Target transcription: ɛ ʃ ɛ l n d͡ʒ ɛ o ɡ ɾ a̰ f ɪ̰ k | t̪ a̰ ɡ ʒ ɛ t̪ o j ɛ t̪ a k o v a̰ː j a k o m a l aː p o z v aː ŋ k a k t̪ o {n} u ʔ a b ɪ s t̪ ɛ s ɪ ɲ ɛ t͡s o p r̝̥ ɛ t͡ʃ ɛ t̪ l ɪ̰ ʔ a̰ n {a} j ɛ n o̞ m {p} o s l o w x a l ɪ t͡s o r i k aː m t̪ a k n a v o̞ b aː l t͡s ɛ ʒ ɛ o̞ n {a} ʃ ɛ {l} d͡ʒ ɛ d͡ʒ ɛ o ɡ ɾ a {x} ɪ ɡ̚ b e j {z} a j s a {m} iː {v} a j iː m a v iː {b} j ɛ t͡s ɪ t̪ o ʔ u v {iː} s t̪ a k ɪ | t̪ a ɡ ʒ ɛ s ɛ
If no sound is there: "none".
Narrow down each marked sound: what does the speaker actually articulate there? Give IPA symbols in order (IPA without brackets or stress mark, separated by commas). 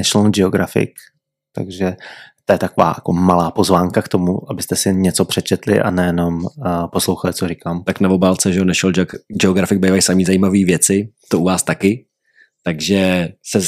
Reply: m, ɛ, p, ɛ, l, f, v, m, z, v, aː